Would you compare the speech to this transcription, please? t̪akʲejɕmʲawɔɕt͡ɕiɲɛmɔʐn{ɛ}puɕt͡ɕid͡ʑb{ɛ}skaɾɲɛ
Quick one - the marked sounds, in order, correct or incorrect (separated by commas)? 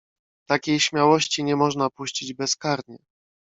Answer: incorrect, correct